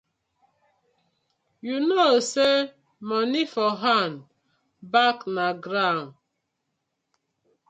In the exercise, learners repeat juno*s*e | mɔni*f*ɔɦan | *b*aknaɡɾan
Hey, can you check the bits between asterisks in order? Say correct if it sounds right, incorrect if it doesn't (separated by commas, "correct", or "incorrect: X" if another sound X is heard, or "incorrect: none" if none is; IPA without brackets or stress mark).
correct, correct, correct